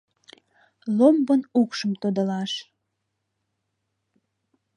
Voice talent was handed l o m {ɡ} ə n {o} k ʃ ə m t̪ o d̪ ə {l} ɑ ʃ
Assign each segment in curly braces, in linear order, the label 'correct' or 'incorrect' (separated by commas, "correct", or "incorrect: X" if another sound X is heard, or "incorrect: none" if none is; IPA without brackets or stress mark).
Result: incorrect: b, incorrect: u, correct